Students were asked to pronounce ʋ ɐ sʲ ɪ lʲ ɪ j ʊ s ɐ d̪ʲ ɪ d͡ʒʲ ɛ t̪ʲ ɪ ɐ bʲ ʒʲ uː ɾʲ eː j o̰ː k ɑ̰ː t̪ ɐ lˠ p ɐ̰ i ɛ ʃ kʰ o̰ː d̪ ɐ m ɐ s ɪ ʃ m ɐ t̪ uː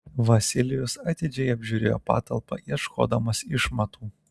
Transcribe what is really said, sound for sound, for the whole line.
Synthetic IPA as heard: ʋ ɐ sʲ ɪ lʲ ɪ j ʊ s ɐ t̪ʲ ɪ d͡ʒʲ ɛ ɪ ɐ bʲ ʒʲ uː ɾʲ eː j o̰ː p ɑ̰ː t̪ ɐ lˠ p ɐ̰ i ɛ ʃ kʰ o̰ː d̪ ɐ m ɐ s ɪ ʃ m ɐ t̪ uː